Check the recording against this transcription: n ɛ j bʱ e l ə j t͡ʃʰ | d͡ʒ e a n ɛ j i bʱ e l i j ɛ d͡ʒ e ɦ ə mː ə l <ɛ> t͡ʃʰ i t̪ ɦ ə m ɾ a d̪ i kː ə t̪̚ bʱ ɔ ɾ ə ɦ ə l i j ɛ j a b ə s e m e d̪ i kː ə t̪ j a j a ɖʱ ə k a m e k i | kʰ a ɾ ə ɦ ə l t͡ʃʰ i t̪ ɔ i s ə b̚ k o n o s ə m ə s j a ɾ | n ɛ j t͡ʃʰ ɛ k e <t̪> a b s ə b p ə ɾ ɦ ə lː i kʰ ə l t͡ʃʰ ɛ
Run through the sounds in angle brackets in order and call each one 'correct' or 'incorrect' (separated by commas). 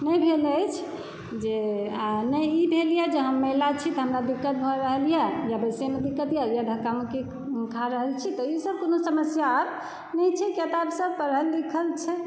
incorrect, correct